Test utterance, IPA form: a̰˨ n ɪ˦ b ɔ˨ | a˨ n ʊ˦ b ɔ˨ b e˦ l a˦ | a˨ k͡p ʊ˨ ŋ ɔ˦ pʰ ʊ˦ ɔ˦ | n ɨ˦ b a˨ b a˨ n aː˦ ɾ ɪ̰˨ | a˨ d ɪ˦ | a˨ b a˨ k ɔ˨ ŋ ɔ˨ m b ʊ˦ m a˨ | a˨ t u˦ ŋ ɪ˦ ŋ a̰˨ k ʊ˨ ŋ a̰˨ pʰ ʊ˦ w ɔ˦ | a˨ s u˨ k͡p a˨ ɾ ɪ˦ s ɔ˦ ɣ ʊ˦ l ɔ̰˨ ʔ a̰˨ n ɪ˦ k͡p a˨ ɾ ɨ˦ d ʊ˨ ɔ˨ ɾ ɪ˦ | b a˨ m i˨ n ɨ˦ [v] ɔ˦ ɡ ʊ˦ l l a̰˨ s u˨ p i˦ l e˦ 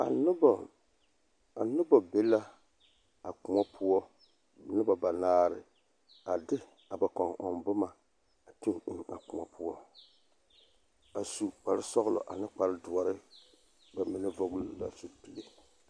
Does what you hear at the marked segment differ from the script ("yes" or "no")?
no